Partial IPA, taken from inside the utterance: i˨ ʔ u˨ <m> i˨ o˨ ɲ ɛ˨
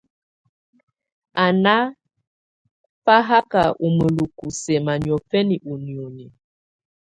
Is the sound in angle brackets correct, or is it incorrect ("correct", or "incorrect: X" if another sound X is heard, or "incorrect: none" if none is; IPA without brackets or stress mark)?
incorrect: n